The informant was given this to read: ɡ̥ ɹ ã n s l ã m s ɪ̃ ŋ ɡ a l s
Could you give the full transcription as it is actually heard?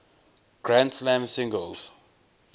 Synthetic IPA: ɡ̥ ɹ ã n s l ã m s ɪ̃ ŋ ɡ ə l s